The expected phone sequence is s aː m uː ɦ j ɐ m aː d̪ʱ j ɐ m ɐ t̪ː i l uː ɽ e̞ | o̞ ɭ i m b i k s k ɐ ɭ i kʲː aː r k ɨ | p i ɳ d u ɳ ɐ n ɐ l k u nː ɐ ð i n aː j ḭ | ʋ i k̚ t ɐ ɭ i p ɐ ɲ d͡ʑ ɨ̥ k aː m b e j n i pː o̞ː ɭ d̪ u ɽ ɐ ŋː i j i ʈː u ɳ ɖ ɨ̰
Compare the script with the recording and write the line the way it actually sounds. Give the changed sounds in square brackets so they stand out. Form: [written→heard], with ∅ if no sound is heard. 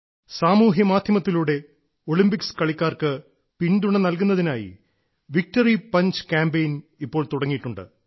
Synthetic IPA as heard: s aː m uː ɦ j ɐ m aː d̪ʱ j ɐ m ɐ t̪ː i l uː ɽ e̞ | o̞ ɭ i m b i k s k ɐ ɭ i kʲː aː r k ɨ | p i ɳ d u ɳ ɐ n ɐ l k u nː ɐ ð i n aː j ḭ | ʋ i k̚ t ɐ [ɭ→r] i p ɐ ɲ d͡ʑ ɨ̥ k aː m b e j n i pː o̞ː ɭ [d̪→t̪] u ɽ ɐ ŋː i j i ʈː u ɳ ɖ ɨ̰